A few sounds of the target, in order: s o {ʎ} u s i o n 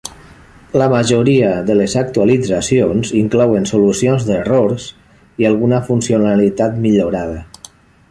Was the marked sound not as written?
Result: yes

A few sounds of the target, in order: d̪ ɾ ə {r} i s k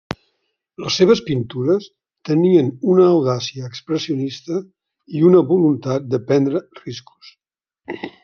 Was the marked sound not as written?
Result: no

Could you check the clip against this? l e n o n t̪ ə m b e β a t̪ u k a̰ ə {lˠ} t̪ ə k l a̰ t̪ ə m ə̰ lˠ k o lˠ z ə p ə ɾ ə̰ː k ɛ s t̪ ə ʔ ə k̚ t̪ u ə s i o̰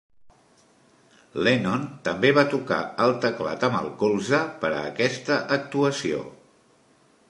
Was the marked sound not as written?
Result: no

